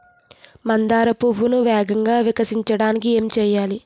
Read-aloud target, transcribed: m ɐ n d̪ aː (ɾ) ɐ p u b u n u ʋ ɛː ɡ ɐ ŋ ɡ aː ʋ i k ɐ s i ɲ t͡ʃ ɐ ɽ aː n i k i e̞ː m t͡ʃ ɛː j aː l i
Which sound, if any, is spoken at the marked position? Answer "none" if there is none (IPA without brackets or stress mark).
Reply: ɾ